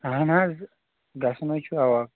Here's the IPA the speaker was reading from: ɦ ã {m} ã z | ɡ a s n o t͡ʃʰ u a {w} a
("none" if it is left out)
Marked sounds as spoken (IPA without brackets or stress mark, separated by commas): n, w